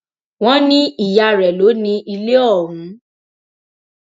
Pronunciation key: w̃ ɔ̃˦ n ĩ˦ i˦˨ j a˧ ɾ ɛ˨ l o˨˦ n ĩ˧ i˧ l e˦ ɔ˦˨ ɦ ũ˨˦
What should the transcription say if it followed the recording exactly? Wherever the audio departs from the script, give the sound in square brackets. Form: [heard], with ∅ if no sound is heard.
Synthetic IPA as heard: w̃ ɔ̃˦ n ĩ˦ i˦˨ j a˧ ɾ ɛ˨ l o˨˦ n ĩ˧ i˧ l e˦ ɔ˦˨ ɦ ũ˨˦